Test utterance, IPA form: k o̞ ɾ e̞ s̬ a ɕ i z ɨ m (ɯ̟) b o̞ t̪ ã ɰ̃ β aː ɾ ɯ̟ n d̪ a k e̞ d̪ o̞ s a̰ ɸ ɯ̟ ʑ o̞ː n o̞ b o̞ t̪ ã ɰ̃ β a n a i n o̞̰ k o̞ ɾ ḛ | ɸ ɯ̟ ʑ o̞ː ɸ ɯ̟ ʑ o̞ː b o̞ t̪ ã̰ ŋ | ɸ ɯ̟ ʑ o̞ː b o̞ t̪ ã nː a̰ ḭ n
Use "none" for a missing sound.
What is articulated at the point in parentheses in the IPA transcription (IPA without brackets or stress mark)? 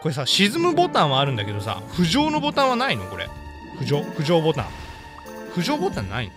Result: ɯ̟